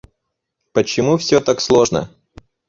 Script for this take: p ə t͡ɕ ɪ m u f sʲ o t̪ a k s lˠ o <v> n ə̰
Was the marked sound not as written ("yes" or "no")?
yes